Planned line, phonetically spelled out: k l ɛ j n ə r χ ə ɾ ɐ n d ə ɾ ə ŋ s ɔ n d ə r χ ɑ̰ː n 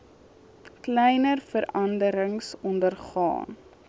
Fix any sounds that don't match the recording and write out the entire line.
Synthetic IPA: k l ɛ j n ə r f ə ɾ ɐ n d ə ɾ ə ŋ s ɔ n d ə r χ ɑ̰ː n